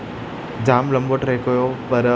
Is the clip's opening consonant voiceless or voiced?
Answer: voiced